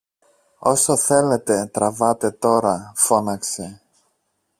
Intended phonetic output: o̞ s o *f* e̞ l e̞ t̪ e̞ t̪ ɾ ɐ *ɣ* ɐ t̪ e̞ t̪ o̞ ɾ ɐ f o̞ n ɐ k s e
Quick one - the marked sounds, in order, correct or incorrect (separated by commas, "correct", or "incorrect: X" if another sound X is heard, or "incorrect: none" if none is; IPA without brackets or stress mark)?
incorrect: θ, incorrect: v